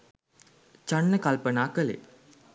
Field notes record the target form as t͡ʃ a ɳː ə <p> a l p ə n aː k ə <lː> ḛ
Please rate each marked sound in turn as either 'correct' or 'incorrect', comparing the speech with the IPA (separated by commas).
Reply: incorrect, incorrect